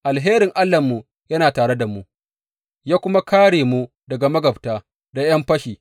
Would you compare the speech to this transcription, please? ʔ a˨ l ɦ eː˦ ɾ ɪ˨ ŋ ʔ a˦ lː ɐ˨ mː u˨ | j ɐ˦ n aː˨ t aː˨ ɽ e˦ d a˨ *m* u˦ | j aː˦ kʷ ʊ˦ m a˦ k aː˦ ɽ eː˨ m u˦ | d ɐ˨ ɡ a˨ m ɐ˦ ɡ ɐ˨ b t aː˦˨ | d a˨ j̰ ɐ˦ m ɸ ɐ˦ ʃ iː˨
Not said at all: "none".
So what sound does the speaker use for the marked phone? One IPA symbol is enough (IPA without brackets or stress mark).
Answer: m